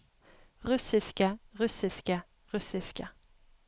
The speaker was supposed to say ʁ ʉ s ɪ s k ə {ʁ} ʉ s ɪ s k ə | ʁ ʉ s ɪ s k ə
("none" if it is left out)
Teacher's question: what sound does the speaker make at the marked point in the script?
ʁ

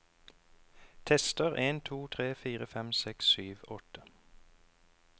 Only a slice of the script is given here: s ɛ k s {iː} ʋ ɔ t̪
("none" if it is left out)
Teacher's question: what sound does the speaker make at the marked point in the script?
yː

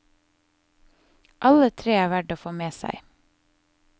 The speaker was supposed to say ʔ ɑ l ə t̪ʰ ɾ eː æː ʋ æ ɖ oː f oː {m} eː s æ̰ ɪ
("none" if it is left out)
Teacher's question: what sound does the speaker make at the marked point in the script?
m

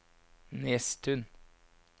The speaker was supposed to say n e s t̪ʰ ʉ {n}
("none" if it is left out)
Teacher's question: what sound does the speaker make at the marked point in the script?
n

